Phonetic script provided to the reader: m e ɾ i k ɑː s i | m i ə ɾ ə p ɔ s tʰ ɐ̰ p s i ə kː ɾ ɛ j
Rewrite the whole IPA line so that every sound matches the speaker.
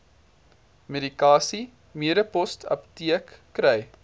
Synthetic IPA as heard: m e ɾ i k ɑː s i | m i ə ɾ ə p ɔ s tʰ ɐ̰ p t i ə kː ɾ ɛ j